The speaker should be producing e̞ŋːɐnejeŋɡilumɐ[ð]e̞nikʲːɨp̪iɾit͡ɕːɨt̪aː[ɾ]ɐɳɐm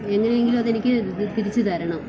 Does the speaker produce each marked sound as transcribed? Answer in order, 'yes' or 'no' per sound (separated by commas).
yes, yes